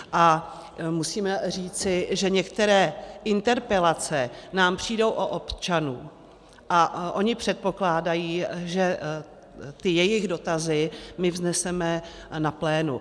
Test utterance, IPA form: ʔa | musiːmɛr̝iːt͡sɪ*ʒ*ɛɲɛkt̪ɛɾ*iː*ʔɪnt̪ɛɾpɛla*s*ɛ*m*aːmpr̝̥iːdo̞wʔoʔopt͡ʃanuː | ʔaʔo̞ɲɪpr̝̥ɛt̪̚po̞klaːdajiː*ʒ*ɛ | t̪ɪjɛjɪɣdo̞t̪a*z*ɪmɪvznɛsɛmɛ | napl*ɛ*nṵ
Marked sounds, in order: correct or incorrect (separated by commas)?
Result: correct, incorrect, incorrect, incorrect, correct, correct, incorrect